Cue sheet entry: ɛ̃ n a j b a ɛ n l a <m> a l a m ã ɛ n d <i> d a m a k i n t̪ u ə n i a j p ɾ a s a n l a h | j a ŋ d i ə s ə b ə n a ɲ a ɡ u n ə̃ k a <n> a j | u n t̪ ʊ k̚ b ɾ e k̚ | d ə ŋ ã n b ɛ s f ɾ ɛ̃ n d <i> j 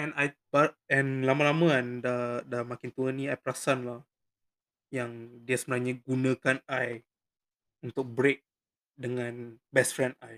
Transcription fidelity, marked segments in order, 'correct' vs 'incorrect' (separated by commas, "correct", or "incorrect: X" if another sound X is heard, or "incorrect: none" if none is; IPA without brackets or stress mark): correct, incorrect: a, correct, incorrect: a